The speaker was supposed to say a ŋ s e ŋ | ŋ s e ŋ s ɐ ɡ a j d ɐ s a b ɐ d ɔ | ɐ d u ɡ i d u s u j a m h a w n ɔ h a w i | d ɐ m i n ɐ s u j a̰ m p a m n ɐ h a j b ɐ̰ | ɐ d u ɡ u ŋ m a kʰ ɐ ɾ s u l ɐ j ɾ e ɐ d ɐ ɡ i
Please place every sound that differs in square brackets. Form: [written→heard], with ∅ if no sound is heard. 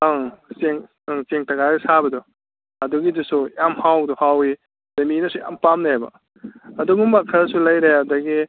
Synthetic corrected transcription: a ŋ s e ŋ | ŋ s e ŋ [s→t] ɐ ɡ a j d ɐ s a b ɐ d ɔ | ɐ d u ɡ i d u s u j a m h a w [n→d] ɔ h a w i | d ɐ m i n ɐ s u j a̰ m p a m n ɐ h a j b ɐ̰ | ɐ d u ɡ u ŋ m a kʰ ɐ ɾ s u l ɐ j ɾ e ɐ d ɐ ɡ i